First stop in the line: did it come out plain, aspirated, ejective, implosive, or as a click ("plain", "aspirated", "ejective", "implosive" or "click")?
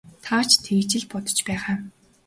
aspirated